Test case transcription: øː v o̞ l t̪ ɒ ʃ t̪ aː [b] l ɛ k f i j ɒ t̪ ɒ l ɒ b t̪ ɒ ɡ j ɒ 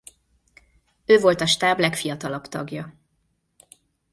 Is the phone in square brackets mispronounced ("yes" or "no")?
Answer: no